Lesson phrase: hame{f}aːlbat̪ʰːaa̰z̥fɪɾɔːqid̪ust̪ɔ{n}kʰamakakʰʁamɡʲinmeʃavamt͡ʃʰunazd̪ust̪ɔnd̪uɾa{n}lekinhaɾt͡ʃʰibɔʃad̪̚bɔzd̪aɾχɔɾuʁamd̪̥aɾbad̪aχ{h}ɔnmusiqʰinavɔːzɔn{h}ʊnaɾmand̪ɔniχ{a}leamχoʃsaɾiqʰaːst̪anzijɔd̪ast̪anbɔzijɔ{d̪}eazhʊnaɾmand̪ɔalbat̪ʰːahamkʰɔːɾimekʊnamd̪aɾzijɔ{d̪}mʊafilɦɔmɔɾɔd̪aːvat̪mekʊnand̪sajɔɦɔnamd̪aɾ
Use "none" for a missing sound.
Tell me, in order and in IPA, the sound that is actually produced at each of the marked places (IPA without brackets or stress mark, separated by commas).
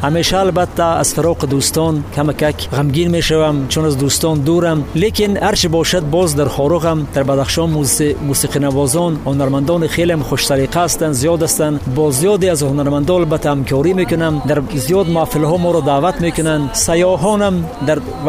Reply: ʃ, n, m, ʃ, h, e, d̪, d̪